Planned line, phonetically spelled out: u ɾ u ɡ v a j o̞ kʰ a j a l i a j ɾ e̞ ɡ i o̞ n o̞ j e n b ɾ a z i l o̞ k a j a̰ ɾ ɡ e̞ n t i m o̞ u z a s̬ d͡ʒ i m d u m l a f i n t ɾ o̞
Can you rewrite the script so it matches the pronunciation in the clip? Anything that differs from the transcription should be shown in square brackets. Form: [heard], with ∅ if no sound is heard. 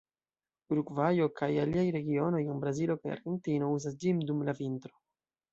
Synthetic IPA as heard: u ɾ u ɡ v a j o̞ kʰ a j a l i a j ɾ e̞ ɡ i o̞ n o̞ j e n b ɾ a z i l o̞ k a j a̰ ɾ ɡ e̞ n t i [n] o̞ u z a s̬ d͡ʒ i m d u m l a [v] i n t ɾ o̞